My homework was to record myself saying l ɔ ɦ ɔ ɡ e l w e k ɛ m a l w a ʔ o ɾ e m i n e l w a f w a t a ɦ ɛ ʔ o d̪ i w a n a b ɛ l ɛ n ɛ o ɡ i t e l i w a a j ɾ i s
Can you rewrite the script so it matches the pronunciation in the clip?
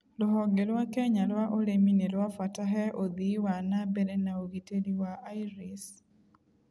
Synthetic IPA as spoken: l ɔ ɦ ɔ ɡ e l w a k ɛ ɲ a l w a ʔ o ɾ e m i n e l w a f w a t a ɦ ɛ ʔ o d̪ i w a n a b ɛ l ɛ n a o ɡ i t e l i w a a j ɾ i s